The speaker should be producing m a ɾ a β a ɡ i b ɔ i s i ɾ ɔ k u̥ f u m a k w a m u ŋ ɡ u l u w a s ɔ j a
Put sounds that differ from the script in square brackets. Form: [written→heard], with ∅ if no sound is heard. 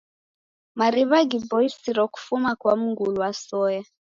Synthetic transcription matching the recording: m a ɾ [a→i] β a ɡ i b ɔ i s i ɾ ɔ k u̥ f u m a k w a m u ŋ ɡ u l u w a s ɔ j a